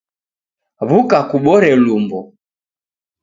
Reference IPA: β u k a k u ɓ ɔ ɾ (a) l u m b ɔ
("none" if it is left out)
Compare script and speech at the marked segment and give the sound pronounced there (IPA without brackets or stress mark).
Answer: ɛ